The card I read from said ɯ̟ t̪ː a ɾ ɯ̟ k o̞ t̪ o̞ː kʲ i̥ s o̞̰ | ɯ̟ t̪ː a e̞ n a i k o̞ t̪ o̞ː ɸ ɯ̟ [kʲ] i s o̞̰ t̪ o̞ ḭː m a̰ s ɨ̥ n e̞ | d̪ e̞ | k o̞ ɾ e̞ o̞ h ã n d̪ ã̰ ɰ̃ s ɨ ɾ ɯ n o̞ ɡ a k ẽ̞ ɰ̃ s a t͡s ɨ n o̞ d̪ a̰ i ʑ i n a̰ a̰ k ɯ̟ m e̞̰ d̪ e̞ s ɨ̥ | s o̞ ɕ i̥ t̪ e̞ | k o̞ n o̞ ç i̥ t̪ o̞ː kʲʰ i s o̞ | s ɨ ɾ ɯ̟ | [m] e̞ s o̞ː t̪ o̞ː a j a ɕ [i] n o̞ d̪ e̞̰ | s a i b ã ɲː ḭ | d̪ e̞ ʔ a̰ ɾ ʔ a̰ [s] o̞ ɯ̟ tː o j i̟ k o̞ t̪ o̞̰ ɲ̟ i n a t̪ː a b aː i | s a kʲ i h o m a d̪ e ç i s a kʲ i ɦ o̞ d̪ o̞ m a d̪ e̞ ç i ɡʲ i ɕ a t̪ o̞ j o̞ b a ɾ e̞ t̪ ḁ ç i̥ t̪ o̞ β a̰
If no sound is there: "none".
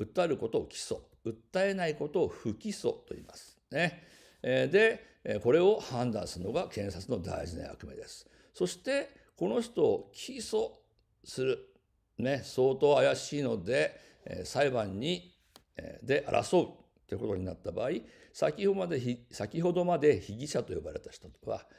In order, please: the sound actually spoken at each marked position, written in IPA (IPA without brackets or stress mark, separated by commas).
kʲ, n, iː, s